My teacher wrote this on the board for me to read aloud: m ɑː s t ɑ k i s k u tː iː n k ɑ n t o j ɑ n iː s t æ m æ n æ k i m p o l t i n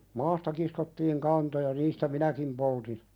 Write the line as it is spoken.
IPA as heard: m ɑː s t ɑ k i s k o tː iː ŋ k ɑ n t o j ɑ n iː s t æ m i n æ k i m p o l t i n